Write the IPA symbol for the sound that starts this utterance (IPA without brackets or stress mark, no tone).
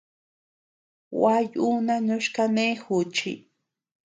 w